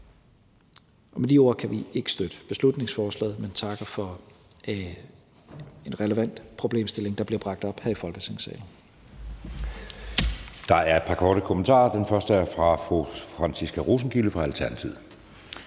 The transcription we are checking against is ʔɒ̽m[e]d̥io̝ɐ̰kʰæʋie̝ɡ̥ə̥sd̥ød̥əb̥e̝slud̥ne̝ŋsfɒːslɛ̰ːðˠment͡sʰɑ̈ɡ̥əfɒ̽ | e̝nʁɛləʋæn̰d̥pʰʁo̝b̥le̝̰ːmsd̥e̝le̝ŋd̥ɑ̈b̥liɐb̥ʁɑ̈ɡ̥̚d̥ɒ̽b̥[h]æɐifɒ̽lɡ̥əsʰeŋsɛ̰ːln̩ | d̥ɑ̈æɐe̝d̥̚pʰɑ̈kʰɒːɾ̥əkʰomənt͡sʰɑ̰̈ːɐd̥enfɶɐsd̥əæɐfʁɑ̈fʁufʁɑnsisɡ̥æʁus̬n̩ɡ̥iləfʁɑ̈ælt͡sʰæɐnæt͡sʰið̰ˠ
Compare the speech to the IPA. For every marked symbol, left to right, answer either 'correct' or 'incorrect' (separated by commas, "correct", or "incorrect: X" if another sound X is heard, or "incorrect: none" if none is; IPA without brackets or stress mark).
correct, correct